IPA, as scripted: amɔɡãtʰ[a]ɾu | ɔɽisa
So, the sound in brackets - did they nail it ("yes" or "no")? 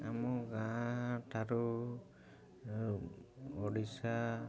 yes